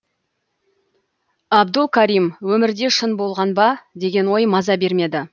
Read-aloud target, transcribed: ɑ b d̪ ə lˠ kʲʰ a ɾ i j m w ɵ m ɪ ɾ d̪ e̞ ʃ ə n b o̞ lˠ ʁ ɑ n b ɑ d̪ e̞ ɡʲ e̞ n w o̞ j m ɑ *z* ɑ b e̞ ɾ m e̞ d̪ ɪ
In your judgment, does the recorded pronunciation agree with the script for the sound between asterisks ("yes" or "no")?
yes